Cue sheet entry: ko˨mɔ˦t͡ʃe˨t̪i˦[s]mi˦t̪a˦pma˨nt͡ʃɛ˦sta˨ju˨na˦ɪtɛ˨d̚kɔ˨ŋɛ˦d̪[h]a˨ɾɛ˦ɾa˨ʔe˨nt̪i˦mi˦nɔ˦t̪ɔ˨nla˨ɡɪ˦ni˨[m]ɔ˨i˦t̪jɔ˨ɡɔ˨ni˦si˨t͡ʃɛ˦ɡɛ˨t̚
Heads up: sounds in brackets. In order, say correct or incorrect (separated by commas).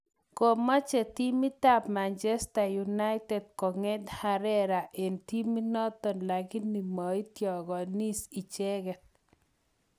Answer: incorrect, correct, correct